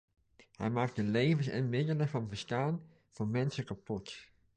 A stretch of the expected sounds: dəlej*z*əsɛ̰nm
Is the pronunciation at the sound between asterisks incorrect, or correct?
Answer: incorrect